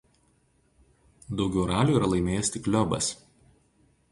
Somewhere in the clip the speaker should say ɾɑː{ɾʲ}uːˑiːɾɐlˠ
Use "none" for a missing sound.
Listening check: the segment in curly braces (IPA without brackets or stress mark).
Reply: lʲ